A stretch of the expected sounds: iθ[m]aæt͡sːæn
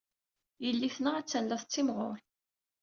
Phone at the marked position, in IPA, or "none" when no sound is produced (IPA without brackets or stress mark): n